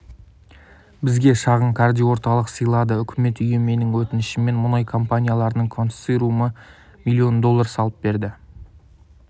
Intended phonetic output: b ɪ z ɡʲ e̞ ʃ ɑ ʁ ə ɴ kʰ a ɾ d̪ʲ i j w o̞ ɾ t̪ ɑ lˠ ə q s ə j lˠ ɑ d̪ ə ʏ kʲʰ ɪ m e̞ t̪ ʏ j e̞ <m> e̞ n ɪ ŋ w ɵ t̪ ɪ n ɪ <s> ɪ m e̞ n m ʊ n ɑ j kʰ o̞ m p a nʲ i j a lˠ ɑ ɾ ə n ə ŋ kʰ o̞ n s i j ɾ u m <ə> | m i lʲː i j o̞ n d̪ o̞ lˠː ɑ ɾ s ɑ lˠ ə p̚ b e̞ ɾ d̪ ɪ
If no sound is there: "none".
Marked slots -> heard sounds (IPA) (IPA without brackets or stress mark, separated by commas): m, ʃ, ə